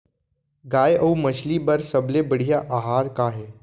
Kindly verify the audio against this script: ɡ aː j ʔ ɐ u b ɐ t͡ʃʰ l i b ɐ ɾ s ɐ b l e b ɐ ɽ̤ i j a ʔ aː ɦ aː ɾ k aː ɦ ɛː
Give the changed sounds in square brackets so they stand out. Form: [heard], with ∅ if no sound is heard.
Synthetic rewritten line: ɡ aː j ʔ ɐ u [m] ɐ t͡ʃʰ l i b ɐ ɾ s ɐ b l e b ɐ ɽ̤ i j a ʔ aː ɦ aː ɾ k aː ɦ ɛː